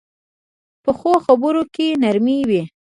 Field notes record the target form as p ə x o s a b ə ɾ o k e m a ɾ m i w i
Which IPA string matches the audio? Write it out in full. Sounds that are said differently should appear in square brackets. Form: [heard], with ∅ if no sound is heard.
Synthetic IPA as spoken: p ə x o [x] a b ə ɾ o k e [n] a ɾ m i w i